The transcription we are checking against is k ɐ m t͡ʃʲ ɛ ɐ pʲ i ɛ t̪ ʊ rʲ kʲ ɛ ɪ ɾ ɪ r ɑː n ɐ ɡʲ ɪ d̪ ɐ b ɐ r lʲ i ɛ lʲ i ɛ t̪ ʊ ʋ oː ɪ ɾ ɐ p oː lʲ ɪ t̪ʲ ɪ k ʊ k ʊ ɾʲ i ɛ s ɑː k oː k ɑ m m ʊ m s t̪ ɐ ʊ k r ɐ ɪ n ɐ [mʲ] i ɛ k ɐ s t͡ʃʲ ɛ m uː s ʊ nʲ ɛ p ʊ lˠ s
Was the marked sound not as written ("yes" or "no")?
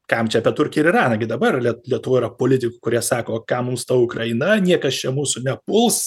yes